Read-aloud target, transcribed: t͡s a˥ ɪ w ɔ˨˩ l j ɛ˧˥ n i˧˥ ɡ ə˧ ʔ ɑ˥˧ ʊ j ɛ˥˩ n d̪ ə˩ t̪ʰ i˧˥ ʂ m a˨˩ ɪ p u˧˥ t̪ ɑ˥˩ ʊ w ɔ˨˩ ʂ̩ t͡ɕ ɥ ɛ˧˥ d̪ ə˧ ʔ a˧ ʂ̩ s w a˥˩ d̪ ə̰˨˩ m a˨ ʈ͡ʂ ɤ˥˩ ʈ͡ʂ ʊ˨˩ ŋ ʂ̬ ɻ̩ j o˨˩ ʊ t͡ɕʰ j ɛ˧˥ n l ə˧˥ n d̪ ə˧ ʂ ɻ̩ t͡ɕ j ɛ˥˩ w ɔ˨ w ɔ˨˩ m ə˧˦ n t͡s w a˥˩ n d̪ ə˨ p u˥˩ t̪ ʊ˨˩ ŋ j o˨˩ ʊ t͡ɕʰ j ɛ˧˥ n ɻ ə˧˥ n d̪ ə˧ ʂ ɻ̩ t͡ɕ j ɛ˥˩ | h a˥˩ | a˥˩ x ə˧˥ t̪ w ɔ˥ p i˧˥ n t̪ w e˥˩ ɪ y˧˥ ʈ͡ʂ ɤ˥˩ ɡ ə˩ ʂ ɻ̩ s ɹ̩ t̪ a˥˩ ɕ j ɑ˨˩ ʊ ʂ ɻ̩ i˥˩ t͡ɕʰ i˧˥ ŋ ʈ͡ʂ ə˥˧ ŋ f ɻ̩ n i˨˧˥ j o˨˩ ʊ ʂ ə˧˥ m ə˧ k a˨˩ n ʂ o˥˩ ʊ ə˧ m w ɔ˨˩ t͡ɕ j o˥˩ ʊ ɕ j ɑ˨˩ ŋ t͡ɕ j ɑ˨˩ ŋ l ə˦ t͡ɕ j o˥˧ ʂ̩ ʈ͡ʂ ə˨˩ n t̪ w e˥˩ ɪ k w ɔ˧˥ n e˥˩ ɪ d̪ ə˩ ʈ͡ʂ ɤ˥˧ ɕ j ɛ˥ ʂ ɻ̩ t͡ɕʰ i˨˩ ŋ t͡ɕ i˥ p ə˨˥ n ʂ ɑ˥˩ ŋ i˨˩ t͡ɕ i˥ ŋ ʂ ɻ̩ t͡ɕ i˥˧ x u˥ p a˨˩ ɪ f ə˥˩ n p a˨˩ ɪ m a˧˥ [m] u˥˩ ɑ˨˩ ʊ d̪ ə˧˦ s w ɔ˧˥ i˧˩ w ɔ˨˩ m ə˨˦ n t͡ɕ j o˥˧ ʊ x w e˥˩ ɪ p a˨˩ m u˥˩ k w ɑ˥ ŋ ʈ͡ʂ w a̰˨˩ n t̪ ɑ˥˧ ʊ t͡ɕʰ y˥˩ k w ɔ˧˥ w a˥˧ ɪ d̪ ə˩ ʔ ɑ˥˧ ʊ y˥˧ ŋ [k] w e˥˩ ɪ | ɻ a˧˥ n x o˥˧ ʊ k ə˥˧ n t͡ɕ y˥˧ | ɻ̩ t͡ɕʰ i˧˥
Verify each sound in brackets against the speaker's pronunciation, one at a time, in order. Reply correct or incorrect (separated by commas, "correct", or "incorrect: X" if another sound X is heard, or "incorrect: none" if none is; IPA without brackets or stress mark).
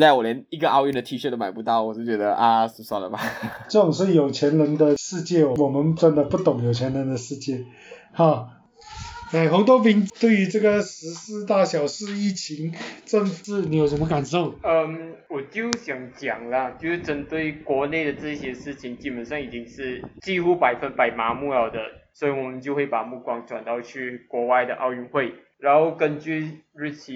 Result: correct, incorrect: x